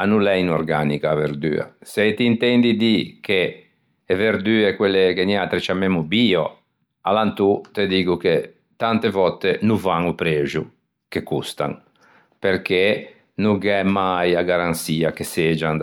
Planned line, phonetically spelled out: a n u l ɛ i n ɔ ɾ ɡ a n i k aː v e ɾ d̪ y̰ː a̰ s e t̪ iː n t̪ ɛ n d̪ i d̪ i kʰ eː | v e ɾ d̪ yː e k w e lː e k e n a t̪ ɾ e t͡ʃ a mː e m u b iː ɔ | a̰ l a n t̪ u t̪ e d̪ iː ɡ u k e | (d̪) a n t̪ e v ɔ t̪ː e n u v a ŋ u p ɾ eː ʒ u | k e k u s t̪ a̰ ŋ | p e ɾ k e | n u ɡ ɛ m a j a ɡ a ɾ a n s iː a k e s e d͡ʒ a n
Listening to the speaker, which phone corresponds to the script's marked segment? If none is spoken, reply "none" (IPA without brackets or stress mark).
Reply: t̪